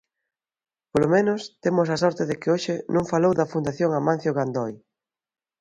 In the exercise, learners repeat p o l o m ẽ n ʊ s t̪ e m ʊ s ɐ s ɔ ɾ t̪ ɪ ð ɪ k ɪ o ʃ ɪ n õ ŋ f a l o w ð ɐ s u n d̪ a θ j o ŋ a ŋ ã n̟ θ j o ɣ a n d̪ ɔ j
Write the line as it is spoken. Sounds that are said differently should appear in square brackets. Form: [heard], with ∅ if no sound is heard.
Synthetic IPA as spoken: p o l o m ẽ n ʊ s t̪ e m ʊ s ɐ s ɔ ɾ t̪ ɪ ð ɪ k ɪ o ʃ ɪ n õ ŋ f a l o w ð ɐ [f] u n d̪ a θ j o ŋ a [m] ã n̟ θ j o ɣ a n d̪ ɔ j